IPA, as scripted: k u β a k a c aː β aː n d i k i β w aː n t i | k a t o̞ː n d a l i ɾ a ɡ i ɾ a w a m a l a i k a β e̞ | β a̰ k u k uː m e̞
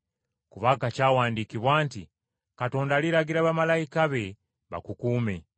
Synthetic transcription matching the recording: k u β a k a c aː w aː n d i k i β w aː n t i | k a t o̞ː n d a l i ɾ a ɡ i ɾ a β a m a l a i k a β e̞ | β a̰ k u k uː m e̞